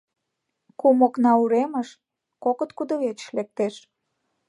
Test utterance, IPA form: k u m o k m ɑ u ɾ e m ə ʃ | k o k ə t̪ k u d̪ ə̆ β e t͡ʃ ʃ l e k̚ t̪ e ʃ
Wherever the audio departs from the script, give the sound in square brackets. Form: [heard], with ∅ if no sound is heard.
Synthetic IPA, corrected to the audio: k u m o k [n] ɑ u ɾ e m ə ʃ | k o k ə t̪ k u d̪ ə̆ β e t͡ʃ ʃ l e k̚ t̪ e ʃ